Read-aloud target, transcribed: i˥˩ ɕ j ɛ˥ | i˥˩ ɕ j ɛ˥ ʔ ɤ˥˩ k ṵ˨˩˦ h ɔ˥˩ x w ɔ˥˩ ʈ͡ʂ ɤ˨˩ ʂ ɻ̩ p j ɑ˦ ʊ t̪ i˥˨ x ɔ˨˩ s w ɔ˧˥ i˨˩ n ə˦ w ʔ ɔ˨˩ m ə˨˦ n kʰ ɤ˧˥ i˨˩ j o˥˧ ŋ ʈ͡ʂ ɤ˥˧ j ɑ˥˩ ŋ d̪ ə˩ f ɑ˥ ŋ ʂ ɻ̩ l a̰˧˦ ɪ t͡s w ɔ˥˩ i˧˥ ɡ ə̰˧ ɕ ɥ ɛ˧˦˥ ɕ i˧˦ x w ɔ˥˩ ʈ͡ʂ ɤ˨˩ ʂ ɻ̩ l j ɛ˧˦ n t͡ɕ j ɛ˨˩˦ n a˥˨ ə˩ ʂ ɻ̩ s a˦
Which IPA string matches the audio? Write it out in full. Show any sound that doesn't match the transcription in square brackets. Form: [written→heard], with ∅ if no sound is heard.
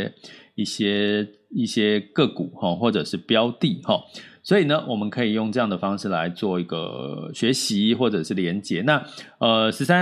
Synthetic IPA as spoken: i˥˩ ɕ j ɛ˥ | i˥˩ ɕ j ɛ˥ [ʔ→k] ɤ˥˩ k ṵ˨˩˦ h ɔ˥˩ x w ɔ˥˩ ʈ͡ʂ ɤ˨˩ ʂ ɻ̩ p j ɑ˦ ʊ t̪ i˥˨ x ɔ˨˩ s w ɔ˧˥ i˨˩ n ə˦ w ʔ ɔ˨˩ m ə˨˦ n kʰ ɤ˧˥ i˨˩ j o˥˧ ŋ ʈ͡ʂ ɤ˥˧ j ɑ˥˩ ŋ d̪ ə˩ f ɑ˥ ŋ ʂ ɻ̩ l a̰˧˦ ɪ t͡s w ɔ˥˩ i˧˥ ɡ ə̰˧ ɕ ɥ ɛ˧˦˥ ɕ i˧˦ x w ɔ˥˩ ʈ͡ʂ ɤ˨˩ ʂ ɻ̩ l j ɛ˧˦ n t͡ɕ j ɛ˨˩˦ n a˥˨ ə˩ ʂ ɻ̩ s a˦